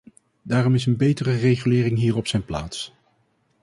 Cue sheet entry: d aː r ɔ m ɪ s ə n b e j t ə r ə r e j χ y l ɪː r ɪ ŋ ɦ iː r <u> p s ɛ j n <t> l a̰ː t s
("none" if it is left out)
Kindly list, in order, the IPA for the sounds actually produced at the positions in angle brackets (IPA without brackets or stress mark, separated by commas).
ɔ, p